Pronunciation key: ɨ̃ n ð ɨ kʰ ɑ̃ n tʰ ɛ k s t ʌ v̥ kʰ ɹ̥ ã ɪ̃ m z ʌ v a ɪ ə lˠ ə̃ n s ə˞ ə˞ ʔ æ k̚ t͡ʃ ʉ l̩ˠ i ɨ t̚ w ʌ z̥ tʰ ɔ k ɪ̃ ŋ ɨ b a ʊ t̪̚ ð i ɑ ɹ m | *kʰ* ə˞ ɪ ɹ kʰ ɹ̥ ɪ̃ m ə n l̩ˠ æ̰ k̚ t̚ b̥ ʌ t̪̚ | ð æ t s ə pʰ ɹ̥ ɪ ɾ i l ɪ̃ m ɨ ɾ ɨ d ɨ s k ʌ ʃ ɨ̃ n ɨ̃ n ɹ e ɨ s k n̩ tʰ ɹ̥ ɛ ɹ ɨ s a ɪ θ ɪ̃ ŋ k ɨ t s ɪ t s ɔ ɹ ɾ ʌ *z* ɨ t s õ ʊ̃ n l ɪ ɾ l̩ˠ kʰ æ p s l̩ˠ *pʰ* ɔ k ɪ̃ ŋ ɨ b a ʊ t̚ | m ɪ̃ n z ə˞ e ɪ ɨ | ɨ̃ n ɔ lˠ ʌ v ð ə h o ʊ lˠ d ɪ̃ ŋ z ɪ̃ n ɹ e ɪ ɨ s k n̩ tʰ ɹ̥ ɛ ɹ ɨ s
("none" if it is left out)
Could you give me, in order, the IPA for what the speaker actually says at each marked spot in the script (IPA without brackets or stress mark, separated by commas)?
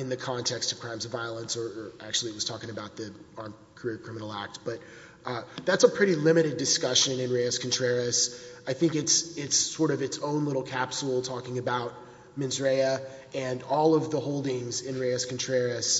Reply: kʰ, v, tʰ